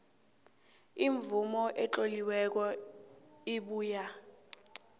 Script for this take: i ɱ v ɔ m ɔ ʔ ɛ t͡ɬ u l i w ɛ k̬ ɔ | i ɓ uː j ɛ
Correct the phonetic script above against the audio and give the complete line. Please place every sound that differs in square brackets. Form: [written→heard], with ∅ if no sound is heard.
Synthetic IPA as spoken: i ɱ v [ɔ→u] m ɔ ʔ ɛ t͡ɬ [u→o] l i w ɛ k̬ ɔ | i ɓ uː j [ɛ→a]